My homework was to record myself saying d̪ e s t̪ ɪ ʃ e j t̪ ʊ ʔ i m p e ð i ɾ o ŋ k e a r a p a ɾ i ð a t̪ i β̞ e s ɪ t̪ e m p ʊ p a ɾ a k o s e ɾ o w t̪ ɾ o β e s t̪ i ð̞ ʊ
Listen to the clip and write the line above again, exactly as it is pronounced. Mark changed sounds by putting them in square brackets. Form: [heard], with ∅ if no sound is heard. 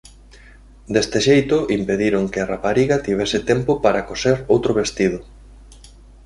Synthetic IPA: d̪ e s t̪ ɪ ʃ e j t̪ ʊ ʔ i m p e ð i ɾ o ŋ k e a r a p a ɾ i [ɣ] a t̪ i β̞ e s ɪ t̪ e m p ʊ p a ɾ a k o s e ɾ o w t̪ ɾ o β e s t̪ i ð̞ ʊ